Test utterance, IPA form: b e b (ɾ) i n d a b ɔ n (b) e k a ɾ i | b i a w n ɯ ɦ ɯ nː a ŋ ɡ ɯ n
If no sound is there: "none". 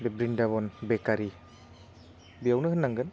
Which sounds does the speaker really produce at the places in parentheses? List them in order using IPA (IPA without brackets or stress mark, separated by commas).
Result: ɾ, b